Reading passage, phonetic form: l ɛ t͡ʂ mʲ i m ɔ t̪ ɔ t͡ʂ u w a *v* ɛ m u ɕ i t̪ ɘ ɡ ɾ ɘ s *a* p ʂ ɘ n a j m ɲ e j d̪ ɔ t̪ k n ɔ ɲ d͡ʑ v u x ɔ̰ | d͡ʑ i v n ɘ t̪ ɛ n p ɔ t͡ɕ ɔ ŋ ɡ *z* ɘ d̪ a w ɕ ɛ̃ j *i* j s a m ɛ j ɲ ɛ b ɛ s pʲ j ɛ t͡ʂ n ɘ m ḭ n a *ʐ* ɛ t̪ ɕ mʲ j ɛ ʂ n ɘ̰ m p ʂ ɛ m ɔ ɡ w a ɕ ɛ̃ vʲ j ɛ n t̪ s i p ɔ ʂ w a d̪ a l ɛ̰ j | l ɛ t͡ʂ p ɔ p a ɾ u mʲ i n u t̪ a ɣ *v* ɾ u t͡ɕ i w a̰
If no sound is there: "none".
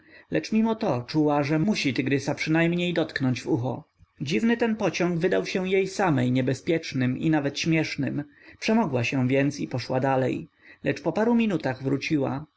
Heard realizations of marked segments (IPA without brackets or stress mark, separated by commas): ʐ, a, v, e, v, v